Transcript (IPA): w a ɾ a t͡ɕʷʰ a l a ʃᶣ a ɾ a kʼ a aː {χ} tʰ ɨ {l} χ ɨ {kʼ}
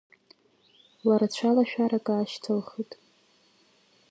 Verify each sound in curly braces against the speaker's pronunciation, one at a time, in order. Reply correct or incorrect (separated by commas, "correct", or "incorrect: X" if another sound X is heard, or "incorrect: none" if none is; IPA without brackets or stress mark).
incorrect: ʃ, correct, incorrect: tʼ